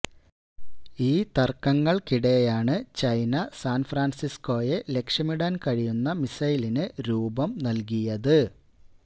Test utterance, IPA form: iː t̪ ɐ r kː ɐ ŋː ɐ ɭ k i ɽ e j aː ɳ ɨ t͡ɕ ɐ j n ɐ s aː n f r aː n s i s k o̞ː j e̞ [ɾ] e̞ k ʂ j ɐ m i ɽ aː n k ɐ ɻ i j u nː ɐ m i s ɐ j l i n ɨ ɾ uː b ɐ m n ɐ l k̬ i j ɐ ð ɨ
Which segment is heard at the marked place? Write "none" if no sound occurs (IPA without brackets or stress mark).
l